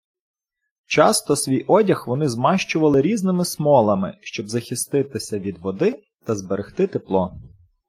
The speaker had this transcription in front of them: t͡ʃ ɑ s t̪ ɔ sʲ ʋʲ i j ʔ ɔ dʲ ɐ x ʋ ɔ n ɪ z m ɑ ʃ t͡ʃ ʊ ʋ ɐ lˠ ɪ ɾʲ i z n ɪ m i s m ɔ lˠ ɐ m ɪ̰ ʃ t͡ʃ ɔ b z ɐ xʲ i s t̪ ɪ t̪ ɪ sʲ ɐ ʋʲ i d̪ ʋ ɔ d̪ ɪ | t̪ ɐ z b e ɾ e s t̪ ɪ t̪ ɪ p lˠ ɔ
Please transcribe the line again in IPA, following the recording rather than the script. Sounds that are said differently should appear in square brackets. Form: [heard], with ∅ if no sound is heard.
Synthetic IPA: t͡ʃ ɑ s t̪ ɔ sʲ ʋʲ i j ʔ ɔ dʲ ɐ x ʋ ɔ n ɪ z m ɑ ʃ t͡ʃ ʊ ʋ ɐ lˠ ɪ ɾʲ i z n ɪ m [ɪ] s m ɔ lˠ ɐ m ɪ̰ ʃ t͡ʃ ɔ b z ɐ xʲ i s t̪ ɪ t̪ ɪ sʲ ɐ ʋʲ i d̪ ʋ ɔ d̪ ɪ | t̪ ɐ z b e ɾ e [x] t̪ ɪ t̪ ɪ p lˠ ɔ